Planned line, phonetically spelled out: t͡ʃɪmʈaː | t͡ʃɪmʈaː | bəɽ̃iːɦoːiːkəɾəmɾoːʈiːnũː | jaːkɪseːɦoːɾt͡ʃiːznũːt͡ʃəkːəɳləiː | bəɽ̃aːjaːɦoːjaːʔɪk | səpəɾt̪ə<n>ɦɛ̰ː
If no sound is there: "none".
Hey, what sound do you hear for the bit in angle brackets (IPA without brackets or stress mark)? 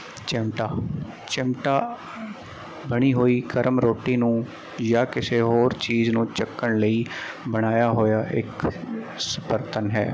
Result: n